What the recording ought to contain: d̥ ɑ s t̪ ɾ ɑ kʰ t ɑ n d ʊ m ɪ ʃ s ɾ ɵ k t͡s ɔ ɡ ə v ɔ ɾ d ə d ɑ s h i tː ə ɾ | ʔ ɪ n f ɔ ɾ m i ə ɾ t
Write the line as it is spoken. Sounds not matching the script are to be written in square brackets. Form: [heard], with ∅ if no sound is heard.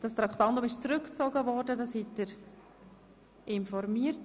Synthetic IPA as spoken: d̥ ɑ s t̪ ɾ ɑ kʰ t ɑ n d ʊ m ɪ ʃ [t͡s] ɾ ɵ k t͡s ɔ ɡ ə v ɔ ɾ d ə d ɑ s h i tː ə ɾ | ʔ ɪ n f ɔ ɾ m i ə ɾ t